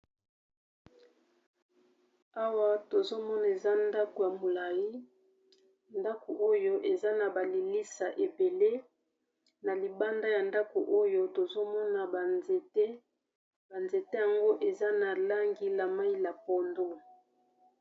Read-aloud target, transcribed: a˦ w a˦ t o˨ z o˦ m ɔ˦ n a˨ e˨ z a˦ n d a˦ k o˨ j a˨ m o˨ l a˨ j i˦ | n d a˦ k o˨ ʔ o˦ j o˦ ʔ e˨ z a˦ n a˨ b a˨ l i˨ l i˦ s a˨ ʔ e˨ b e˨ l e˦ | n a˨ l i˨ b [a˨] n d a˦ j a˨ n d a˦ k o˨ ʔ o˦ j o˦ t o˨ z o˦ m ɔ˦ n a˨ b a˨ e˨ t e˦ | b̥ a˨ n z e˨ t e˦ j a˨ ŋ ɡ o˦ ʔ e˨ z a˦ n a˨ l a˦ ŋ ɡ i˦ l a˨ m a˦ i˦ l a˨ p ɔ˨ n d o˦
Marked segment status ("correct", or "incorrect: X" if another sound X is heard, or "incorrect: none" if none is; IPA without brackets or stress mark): incorrect: a˦